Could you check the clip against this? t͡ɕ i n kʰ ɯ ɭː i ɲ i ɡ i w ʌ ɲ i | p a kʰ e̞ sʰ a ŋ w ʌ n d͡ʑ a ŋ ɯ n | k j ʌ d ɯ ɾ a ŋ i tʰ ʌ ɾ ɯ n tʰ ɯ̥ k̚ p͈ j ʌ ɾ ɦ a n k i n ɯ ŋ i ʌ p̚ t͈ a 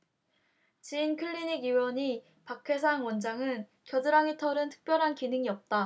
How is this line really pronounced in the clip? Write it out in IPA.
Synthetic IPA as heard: t͡ɕ i n kʰ ɯ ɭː i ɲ i ɡ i w ʌ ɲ i | p a kʰ e̞ sʰ a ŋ w ʌ n d͡ʑ a ŋ ɯ n | k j ʌ d ɯ ɾ a ŋ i tʰ ʌ ɾ ɯ n tʰ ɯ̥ k̚ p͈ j ʌ ɾ ɦ a n k i n ɯ ŋ i ʌ p̚ t͈ a

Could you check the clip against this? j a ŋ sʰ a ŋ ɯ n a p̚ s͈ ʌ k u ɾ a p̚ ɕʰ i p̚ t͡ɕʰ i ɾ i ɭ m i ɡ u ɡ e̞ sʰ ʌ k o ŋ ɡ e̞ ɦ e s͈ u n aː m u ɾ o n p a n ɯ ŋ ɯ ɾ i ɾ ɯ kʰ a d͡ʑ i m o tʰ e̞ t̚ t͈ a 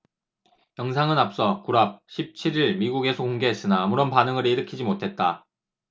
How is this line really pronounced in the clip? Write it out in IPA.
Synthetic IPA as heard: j ʌ ŋ sʰ a ŋ ɯ n a p̚ s͈ ʌ k u ɾ a p̚ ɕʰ i p̚ t͡ɕʰ i ɾ i ɭ m i ɡ u ɡ e̞ sʰ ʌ k o ŋ ɡ e̞ ɦ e s͈ ɯ n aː m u ɾ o n p a n ɯ ŋ ɯ ɾ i ɾ ɯ kʰ i d͡ʑ i m o tʰ e̞ t̚ t͈ a

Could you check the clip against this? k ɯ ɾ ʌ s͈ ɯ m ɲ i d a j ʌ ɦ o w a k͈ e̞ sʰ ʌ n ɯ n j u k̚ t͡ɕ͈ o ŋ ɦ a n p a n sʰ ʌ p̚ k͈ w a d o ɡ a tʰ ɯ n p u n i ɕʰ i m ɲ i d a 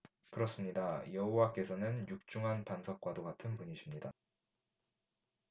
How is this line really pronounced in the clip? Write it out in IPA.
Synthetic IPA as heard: k ɯ ɾ ʌ s͈ ɯ m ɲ i d a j ʌ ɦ o w a k͈ e̞ sʰ ʌ n ɯ n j u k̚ t͡ɕ͈ u ŋ ɦ a n p a n sʰ ʌ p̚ k͈ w a d o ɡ a tʰ ɯ n p u ɲ i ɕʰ i m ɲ i d a

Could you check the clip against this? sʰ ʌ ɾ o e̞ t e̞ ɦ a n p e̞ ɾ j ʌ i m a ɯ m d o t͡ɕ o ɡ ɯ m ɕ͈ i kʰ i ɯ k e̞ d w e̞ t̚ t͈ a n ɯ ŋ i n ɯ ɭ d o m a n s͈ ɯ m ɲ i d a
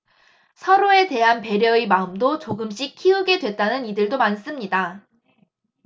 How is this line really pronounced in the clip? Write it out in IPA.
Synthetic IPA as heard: sʰ ʌ ɾ o e̞ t e̞ ɦ a n p e̞ ɾ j ʌ i m a ɯ m d o t͡ɕ o ɡ ɯ m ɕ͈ i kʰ i ɯ ɡ e̞ d w e̞ t̚ t͈ a n ɯ n i d ɯ ɭ d o m a n s͈ ɯ m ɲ i d a

